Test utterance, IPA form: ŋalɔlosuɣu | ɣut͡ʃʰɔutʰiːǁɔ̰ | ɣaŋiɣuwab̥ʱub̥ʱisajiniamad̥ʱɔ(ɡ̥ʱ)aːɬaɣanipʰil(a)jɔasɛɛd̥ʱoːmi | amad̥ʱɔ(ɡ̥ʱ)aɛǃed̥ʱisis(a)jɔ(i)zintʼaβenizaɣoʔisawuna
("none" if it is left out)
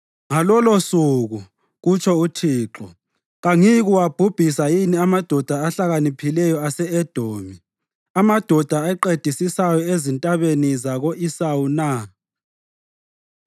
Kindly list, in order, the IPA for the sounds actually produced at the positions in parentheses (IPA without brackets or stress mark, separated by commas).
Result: d̥ʱ, ɛ, d̥ʱ, a, e